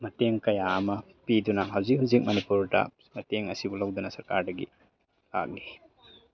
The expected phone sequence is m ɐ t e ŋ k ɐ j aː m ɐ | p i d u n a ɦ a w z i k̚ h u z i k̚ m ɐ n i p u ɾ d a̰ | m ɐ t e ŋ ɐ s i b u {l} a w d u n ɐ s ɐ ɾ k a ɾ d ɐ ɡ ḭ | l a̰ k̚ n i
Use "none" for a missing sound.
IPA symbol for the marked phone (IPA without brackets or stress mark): l